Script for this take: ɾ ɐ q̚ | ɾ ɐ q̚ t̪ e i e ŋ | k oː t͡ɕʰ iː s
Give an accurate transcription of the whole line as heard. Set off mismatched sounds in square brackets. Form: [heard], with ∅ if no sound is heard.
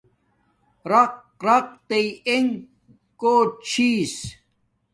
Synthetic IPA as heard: ɾ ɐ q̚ | ɾ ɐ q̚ t̪ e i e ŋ | k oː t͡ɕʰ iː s